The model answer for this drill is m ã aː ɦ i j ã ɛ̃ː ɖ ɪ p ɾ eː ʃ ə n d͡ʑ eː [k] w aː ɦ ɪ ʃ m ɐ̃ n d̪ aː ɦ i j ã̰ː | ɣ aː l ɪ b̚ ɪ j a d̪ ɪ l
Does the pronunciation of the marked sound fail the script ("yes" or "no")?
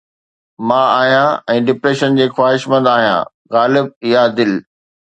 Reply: yes